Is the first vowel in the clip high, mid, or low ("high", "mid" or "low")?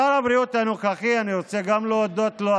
low